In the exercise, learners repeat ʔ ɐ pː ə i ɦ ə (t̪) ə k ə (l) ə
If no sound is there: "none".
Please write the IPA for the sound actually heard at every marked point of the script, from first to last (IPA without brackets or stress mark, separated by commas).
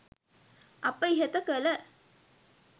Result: t̪, l